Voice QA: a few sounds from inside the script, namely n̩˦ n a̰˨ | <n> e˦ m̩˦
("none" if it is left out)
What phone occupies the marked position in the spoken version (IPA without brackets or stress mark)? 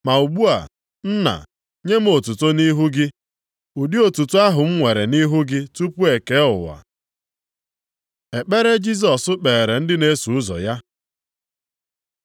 ɲ